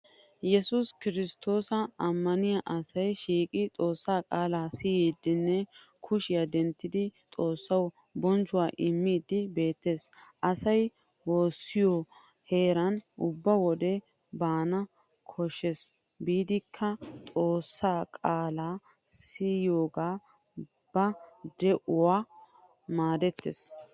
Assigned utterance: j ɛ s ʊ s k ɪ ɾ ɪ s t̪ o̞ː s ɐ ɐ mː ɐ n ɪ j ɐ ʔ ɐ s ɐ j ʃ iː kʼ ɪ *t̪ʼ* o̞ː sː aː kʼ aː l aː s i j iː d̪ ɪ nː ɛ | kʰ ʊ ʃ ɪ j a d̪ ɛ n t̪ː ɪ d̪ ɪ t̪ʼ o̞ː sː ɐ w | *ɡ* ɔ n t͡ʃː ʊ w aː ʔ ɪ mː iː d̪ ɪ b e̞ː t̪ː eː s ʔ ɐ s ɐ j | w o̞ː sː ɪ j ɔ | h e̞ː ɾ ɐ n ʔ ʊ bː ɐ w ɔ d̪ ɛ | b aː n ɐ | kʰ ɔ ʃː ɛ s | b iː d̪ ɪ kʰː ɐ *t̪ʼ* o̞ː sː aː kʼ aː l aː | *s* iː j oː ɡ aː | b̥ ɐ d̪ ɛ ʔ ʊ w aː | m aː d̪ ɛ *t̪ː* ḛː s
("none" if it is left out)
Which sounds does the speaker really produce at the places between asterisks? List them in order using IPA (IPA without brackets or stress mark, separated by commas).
t̪ʼ, b, t̪ʼ, s, t̪ː